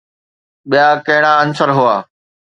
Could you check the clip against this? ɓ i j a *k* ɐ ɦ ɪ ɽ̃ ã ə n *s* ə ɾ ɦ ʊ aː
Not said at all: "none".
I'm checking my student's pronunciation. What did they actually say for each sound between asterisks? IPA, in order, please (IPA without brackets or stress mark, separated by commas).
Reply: k, s